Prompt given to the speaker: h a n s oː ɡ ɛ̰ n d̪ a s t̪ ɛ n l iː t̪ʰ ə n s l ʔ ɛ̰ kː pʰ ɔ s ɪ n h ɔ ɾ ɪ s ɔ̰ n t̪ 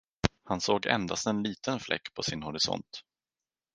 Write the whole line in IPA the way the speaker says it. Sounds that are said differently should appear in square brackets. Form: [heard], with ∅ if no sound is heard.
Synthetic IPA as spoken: h a n s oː ɡ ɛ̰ n d̪ a s t̪ ɛ n l iː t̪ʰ ə n [f] l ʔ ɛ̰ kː pʰ ɔ s ɪ n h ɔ ɾ ɪ s ɔ̰ n t̪